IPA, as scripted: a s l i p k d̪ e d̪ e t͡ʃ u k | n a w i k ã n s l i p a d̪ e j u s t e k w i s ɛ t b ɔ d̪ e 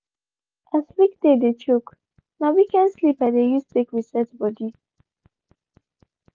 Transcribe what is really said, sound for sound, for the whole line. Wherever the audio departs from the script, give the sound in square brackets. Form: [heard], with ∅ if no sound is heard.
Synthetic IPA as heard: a s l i [∅] k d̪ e d̪ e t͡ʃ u k | n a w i k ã n s l i p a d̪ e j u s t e k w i s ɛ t b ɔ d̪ [i]

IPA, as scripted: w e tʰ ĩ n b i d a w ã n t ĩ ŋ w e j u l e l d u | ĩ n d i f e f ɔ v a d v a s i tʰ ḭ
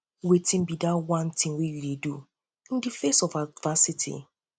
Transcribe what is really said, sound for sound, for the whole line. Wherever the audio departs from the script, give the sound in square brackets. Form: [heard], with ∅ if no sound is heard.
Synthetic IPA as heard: w e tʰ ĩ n b i d a w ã n t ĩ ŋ w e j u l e [∅] d u | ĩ n d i f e [s] ɔ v a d v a s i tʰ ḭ

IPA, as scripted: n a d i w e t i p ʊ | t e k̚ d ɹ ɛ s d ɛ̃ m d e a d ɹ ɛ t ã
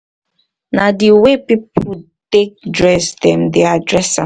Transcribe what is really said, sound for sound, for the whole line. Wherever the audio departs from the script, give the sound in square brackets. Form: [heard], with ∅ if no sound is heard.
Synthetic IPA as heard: n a d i w e [p] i p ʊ | t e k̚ d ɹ ɛ s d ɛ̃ m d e a d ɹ ɛ [s] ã

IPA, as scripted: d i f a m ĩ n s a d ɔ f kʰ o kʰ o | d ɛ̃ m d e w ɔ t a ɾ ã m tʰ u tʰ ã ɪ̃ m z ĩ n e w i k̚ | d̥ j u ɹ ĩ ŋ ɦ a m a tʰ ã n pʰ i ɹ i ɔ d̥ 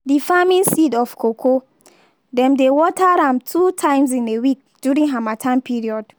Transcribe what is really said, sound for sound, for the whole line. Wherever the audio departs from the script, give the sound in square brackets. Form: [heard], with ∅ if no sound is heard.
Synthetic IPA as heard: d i f a m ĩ n s [i] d ɔ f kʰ o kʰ o | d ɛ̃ m d e w ɔ t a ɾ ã m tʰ u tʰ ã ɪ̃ m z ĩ n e w i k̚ | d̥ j u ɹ ĩ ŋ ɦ a m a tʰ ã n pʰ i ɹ i ɔ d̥

